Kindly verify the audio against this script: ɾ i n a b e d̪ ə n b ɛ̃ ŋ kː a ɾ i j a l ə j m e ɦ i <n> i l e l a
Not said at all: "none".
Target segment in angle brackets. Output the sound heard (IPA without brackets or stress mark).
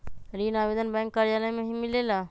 m